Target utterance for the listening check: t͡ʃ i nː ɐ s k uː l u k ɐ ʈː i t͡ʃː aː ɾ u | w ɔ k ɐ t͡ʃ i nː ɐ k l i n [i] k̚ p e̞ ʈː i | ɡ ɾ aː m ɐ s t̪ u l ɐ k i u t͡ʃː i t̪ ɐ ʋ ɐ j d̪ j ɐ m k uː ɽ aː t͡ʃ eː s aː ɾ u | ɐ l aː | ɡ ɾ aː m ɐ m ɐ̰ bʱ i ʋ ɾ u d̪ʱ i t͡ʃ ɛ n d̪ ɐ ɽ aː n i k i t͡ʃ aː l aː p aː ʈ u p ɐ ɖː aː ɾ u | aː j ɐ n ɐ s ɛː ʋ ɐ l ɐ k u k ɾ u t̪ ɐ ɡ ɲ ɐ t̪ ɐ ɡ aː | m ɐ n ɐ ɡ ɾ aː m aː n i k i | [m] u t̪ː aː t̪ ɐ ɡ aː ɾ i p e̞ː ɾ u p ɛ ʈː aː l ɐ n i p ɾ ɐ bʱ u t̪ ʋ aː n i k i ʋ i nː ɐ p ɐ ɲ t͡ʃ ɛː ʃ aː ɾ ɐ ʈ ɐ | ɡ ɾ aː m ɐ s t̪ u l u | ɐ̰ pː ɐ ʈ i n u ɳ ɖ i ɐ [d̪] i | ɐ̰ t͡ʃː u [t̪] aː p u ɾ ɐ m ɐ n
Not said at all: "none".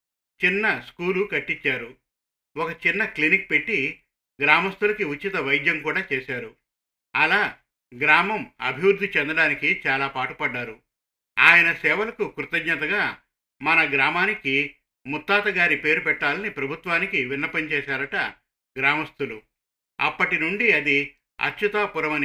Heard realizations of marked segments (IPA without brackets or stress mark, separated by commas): i, m, d̪, t̪